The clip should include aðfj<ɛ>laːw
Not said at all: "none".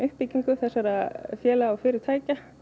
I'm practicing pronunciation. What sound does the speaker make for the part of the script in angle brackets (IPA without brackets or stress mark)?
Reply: ɛː